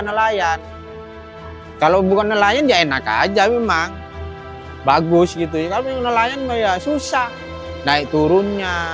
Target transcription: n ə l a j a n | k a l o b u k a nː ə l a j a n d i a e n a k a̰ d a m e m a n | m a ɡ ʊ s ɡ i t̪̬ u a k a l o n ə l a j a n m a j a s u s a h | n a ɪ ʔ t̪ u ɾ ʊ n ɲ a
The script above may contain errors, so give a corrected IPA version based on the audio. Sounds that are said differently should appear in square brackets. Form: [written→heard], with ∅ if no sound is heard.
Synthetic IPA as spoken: n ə l a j a n | k a l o b u k a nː ə l a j a n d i a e n a k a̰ [d→d͡ʒ] a m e m a [n→ŋ] | [m→b] a ɡ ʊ s ɡ i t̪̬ u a k a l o n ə l a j a n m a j a s u s a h | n a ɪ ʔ t̪ u ɾ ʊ n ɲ a